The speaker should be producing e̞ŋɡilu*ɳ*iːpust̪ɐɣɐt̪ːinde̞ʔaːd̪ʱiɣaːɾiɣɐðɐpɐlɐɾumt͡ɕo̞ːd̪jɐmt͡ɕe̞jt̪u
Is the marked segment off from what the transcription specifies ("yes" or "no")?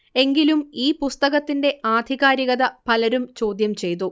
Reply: yes